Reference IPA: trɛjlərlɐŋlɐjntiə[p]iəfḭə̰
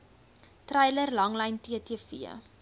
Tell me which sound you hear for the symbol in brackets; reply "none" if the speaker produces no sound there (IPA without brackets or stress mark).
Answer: t